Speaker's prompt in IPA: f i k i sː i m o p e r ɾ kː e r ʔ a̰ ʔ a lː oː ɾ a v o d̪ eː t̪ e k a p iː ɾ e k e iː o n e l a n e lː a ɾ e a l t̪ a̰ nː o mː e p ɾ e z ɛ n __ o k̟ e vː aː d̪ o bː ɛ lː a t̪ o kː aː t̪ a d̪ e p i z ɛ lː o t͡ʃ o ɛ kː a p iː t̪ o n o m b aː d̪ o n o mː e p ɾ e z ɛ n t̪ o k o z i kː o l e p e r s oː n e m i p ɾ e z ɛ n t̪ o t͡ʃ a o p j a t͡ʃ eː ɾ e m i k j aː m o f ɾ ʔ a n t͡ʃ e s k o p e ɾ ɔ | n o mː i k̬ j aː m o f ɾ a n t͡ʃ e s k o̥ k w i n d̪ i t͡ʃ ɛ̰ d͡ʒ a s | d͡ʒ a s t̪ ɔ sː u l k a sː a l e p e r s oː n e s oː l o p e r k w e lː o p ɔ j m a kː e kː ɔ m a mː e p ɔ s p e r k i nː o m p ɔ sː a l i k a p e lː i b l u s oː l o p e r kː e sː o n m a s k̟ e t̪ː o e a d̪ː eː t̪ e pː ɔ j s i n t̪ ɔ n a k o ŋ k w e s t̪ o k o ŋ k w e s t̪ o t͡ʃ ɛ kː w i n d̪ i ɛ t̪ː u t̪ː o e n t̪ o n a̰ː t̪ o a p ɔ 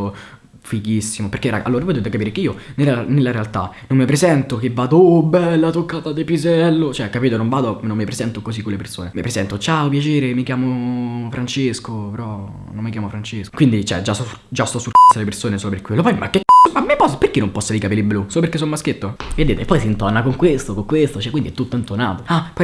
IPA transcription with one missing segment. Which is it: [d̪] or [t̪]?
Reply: t̪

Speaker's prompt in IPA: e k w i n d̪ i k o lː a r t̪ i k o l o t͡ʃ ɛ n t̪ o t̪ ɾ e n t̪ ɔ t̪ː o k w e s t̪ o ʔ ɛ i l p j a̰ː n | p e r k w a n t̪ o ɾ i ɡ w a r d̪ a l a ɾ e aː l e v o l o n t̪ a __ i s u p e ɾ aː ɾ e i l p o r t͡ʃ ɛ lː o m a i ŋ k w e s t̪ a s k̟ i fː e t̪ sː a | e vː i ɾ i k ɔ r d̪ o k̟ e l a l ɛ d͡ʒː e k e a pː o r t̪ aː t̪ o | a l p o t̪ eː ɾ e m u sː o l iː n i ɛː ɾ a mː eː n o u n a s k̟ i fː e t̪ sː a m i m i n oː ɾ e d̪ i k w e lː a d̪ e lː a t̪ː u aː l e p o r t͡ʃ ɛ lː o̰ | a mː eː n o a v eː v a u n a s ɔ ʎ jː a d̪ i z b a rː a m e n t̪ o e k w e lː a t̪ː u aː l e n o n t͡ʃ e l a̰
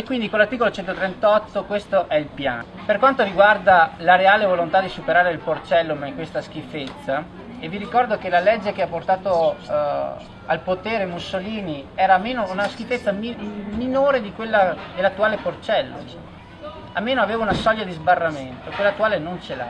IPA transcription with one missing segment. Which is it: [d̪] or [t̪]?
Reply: d̪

